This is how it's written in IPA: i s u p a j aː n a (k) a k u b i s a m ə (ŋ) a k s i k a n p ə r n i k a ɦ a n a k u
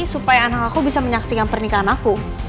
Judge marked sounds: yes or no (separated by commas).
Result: yes, no